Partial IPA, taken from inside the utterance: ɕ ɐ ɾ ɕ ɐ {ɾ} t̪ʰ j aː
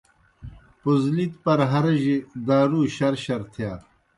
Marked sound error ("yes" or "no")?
no